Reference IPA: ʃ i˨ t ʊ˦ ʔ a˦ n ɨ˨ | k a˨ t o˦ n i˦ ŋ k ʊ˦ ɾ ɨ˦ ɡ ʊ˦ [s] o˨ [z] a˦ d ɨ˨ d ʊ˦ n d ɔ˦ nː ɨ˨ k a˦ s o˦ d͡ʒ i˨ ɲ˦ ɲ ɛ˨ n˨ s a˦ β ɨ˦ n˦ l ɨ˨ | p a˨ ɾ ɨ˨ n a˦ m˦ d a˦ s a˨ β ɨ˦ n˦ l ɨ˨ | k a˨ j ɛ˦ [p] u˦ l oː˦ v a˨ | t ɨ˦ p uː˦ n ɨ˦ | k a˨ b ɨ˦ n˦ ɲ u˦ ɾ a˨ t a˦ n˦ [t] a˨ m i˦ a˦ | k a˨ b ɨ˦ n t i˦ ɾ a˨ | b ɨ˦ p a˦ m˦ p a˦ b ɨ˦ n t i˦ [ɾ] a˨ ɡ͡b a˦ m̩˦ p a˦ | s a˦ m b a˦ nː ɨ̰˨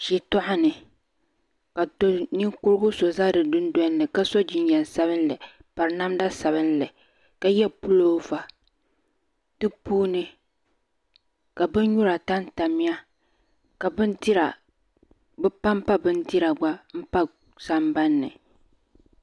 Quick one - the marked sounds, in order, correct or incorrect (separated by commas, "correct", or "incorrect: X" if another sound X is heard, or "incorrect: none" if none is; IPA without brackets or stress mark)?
correct, correct, correct, correct, correct